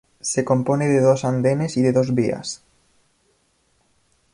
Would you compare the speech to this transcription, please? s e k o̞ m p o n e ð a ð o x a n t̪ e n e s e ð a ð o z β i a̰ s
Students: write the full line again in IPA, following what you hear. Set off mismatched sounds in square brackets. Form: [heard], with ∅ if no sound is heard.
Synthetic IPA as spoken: s e k o̞ m p o n e ð [e] ð o [s] a n [d̪] e n e s [i] ð [e] ð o z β i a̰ s